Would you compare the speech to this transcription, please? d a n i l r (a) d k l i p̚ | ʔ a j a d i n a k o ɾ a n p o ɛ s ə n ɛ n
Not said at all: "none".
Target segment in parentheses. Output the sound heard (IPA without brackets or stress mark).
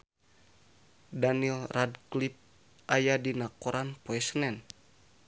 a